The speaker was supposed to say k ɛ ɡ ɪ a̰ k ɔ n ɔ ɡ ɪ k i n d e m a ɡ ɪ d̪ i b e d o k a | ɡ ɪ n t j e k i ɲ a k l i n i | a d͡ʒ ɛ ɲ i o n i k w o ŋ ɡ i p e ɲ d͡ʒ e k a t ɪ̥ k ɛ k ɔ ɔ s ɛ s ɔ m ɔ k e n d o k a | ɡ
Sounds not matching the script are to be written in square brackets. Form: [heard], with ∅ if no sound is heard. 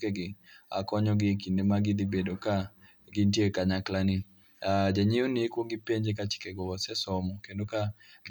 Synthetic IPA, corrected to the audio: k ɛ ɡ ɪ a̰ k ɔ [ɲ] ɔ ɡ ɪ k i n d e m a ɡ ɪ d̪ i b e d o k a | ɡ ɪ n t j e k [a] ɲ a k l [a] n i | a d͡ʒ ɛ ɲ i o n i k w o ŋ ɡ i p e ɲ d͡ʒ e k a [t͡ʃ] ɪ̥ k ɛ [ɡ] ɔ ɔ s ɛ s ɔ m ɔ k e n d o k a | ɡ